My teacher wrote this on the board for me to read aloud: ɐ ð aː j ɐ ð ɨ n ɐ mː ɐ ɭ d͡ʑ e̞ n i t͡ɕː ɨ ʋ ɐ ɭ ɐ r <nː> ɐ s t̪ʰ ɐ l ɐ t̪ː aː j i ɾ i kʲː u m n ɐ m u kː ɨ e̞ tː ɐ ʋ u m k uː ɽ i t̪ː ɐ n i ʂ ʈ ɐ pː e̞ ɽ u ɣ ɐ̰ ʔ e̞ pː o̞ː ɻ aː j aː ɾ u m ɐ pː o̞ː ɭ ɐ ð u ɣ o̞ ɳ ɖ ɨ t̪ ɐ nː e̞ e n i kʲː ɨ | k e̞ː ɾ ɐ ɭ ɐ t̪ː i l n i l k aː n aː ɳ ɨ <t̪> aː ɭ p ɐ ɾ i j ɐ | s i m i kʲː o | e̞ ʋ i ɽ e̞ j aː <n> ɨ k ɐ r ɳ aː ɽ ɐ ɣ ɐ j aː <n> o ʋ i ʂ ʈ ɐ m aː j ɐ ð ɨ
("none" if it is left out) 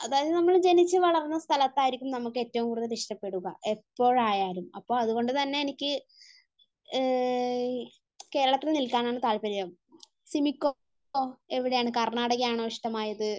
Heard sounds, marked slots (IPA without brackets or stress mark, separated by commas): nː, t̪, ɳ, ɳ